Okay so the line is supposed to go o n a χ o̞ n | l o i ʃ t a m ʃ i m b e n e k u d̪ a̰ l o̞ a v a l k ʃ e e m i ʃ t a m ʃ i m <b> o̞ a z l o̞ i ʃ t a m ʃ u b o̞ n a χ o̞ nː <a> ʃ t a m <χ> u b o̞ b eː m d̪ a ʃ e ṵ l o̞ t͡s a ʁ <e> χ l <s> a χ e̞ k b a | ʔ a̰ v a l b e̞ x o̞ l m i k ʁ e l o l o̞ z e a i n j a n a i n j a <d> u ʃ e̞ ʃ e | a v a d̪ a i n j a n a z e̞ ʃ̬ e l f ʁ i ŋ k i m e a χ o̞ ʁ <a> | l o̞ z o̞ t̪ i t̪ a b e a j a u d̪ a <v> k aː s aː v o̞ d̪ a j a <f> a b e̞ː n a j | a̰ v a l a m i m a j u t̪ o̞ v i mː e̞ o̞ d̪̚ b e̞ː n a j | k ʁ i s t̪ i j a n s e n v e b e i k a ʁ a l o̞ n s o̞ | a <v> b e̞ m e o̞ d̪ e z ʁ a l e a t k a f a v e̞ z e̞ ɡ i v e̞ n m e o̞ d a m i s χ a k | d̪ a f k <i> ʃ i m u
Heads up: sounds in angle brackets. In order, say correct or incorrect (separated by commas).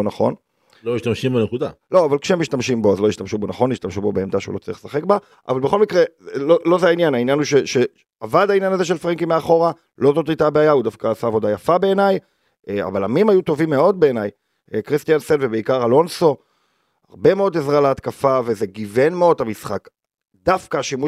correct, incorrect, incorrect, incorrect, correct, incorrect, correct, incorrect, correct, incorrect, incorrect